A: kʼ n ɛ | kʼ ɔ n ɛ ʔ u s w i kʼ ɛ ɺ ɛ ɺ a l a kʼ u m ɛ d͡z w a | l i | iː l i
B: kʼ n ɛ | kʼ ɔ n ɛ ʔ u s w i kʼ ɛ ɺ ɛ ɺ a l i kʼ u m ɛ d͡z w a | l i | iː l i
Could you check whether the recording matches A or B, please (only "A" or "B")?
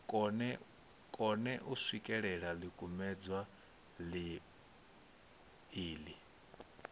B